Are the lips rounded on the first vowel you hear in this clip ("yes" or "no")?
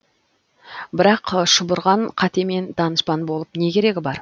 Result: no